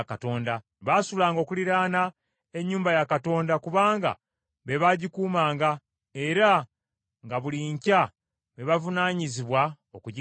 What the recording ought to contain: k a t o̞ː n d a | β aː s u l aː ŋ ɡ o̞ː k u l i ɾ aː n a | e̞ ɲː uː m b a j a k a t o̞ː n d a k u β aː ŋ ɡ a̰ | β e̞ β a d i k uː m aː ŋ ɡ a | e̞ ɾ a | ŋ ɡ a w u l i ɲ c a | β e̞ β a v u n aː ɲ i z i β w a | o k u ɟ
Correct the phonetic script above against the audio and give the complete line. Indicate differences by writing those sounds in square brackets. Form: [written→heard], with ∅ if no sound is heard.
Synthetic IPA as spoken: k a t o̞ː n d a | β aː s u l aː ŋ ɡ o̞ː k u l i ɾ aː n a | e̞ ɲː uː m b a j a k a t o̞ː n d a k u β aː ŋ ɡ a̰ | β e̞ β a [d→ɟ] i k uː m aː ŋ ɡ a | e̞ ɾ a | ŋ ɡ a [w→β] u l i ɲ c a | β e̞ β a v u n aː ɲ i z i β w a | o k u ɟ

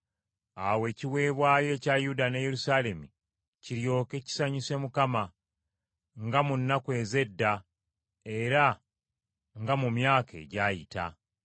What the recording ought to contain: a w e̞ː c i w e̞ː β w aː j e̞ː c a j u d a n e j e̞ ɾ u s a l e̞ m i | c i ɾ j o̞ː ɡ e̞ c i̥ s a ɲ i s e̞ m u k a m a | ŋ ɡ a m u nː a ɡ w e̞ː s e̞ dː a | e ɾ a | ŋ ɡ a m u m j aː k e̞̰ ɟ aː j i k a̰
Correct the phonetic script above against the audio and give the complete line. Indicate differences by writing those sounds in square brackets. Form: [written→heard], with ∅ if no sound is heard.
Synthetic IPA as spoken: a w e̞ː c i w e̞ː β w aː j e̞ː c a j u d a n e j e̞ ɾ u s a l e̞ m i | c i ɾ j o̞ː [ɡ→k] e̞ c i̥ s a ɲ i s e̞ m u k a m a | ŋ ɡ a m u nː a [ɡ→k] w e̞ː [s→z] e̞ dː a | e ɾ a | ŋ ɡ a m u m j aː k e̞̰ ɟ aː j i [k→t] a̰

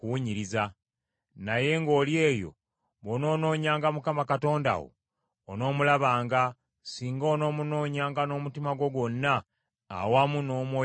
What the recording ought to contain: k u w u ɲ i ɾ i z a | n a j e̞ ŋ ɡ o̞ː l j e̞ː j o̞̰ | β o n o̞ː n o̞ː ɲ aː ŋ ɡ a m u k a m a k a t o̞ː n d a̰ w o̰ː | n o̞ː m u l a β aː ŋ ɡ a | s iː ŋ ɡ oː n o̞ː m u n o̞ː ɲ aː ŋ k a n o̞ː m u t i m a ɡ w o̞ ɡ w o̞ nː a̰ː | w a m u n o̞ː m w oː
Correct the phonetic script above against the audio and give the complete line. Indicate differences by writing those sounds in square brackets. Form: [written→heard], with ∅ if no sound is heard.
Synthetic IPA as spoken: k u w u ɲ i ɾ i z a | n a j e̞ ŋ ɡ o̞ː l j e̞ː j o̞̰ | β o n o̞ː n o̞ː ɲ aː ŋ ɡ a m u k a m a k a t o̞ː n d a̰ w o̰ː | n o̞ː m u l a β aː ŋ ɡ a | s iː ŋ ɡ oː n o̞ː m u n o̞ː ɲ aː ŋ [k→ɡ] a n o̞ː m u t i m a ɡ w o̞ ɡ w o̞ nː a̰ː | w a m u n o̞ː m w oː

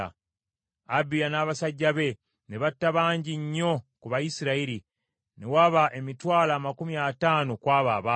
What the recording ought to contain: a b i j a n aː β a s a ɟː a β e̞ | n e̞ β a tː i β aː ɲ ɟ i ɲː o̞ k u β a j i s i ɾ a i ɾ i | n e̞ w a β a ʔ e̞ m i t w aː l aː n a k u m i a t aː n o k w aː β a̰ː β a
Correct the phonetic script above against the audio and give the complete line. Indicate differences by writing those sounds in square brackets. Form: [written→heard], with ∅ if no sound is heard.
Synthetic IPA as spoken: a b i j a n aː β a s a ɟː a β e̞ | n e̞ β a tː [i→a] β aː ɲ ɟ i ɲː o̞ k u β a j i s i ɾ a i ɾ i | n e̞ w a β a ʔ e̞ m i t w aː l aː [n→m] a k u m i a t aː n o k w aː β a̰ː β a

